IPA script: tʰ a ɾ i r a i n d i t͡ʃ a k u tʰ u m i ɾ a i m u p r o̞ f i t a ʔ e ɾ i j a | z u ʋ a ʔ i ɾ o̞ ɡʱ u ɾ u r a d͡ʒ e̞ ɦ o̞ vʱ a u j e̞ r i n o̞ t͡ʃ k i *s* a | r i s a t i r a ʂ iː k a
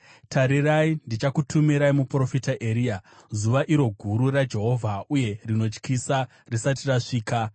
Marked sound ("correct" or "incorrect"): correct